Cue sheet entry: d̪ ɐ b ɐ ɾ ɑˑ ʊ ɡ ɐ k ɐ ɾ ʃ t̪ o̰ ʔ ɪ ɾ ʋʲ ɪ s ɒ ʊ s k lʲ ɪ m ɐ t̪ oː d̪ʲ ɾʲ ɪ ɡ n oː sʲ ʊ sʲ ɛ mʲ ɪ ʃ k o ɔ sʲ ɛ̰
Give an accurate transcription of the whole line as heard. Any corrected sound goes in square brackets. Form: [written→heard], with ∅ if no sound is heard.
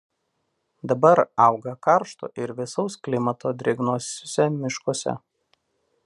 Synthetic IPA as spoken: d̪ ɐ b ɐ ɾ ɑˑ ʊ ɡ ɐ k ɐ ɾ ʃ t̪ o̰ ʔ ɪ ɾ ʋʲ ɪ s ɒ ʊ s k lʲ ɪ m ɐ t̪ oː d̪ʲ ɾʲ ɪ ɡ n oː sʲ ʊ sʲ ɛ mʲ ɪ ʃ k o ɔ sʲ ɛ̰